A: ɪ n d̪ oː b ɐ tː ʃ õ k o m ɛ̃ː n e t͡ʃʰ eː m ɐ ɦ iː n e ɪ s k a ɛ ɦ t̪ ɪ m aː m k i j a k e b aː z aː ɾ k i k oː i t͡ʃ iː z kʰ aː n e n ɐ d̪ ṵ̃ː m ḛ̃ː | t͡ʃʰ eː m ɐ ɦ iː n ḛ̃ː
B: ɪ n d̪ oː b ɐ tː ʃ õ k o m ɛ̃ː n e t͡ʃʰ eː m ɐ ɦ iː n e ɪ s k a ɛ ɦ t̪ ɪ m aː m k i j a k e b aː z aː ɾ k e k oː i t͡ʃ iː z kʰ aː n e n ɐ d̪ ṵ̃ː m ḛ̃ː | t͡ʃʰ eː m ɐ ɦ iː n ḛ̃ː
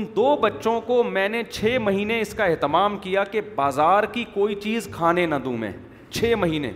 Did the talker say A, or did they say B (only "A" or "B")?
A